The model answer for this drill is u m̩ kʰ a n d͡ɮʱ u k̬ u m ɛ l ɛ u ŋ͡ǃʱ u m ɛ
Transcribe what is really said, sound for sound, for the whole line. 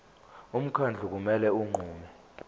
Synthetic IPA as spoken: u m̩ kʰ a n d͡ɮʱ u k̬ u m ɛ l ɛ u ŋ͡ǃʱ uː m ɛ